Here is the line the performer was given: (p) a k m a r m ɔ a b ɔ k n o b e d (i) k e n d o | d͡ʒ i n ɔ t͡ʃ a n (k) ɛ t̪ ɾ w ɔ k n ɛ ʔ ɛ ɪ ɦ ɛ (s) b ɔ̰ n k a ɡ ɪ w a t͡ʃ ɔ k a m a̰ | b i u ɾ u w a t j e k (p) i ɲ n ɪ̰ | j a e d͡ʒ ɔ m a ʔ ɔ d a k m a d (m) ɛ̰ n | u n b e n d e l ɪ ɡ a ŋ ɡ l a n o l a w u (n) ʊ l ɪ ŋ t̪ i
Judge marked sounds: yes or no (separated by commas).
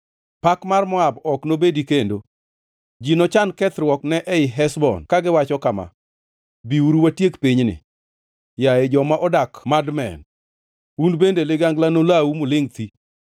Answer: yes, yes, yes, yes, yes, yes, no